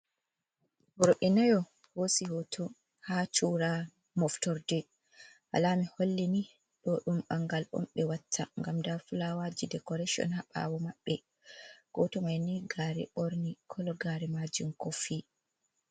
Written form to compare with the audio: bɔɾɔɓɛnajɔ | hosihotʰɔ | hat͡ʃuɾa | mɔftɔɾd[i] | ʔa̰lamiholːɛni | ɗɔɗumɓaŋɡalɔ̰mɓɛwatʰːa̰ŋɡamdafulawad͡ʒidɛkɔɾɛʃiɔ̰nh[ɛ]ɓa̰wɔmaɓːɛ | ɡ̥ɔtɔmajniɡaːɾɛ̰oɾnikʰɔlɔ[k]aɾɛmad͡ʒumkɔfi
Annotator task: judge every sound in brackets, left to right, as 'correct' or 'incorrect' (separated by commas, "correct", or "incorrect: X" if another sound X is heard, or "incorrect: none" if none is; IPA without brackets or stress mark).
incorrect: ɛ, incorrect: a, incorrect: ɡ